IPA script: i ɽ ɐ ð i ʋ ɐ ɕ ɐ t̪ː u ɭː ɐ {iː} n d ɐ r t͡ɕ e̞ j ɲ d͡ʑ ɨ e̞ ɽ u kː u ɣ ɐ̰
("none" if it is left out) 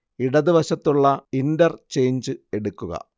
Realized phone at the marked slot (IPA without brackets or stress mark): i